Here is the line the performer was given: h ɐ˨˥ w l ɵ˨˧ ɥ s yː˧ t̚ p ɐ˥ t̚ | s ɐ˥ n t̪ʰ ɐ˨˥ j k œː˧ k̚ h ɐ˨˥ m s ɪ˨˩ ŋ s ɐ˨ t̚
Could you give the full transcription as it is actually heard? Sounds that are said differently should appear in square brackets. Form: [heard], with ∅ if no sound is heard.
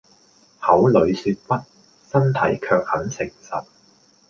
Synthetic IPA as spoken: h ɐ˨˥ w l ɵ˨˧ ɥ s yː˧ t̚ p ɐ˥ t̚ | s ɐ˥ n t̪ʰ ɐ˨˥ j [kʰ] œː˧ k̚ h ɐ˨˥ [n] s ɪ˨˩ ŋ s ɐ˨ t̚